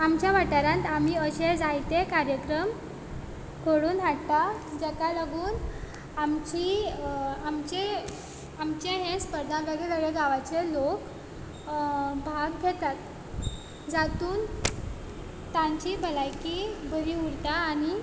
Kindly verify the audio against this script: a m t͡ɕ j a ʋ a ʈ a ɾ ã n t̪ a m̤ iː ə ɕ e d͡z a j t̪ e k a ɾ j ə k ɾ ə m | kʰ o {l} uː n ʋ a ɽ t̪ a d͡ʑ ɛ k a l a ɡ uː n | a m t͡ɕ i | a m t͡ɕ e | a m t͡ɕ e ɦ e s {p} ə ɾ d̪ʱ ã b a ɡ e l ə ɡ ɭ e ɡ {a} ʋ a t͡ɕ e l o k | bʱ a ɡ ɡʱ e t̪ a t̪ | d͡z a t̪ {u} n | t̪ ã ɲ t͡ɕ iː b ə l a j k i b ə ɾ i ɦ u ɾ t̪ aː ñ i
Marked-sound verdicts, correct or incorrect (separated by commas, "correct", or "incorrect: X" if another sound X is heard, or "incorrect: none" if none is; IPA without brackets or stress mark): incorrect: ɽ, correct, correct, incorrect: uː